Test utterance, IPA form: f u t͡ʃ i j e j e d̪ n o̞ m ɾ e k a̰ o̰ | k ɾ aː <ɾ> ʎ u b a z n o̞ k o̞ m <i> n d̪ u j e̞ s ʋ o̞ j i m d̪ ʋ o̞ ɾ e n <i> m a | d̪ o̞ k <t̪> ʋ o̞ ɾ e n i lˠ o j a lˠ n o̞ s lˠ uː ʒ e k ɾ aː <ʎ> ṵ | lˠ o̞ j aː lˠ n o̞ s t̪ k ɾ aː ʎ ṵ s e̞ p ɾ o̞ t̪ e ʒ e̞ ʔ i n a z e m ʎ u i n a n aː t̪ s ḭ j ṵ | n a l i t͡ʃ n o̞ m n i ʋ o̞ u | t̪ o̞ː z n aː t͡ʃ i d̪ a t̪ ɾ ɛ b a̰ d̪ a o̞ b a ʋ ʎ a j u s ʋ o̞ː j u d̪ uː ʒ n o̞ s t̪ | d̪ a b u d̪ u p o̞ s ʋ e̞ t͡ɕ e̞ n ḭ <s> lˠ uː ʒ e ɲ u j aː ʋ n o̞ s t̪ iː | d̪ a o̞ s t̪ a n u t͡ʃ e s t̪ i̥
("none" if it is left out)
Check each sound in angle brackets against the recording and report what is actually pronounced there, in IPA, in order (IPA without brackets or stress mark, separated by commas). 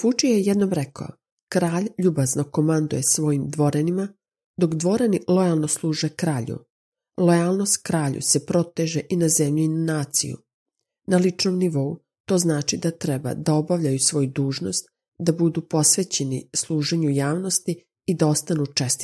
ʎ, a, i, d̪, ʎ, s